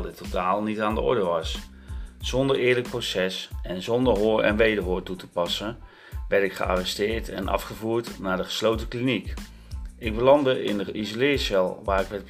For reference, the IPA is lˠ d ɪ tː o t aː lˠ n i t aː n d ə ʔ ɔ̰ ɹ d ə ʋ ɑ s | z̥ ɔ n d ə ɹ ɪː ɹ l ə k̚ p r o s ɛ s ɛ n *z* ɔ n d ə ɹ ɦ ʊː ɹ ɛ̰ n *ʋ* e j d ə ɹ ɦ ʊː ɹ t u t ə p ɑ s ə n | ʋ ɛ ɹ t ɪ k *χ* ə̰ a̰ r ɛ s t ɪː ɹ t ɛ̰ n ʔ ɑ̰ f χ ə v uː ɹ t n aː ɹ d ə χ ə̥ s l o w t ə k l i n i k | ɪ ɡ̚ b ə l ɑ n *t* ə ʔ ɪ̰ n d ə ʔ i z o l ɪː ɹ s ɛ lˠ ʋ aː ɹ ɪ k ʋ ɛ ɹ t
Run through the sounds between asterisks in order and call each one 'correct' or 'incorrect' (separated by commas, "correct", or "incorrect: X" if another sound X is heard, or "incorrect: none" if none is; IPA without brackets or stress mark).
correct, correct, correct, incorrect: d